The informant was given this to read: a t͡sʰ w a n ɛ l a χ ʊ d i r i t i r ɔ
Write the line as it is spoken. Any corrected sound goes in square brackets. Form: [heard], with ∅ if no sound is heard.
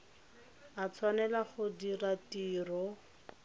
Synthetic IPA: a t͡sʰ w a n ɛ l a χ ʊ d i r [a] t [iː] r ɔ